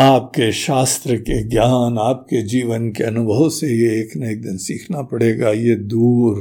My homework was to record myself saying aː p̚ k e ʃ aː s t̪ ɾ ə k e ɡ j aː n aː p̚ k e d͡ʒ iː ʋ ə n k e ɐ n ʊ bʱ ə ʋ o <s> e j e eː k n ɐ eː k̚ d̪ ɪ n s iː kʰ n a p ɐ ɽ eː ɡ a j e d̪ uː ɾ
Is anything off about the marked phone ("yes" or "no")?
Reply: no